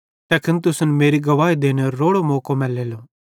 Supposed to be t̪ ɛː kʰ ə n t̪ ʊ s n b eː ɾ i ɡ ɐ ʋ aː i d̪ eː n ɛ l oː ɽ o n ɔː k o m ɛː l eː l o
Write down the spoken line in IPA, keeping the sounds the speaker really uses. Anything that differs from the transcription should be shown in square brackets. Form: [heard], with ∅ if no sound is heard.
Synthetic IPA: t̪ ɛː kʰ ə n t̪ ʊ s n [m] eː ɾ i ɡ ɐ ʋ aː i d̪ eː n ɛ [ɾ] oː ɽ o [m] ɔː k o m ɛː l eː l o